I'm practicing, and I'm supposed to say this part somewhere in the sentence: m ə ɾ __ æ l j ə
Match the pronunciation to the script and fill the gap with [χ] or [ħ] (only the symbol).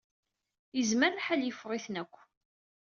ħ